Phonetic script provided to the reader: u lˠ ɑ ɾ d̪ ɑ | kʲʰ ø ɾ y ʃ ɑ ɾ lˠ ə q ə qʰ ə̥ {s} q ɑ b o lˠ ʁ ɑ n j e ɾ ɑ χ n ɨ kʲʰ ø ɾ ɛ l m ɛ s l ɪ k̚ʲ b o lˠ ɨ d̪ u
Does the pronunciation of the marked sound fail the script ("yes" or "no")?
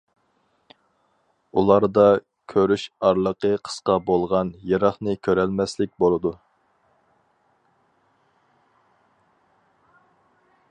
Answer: no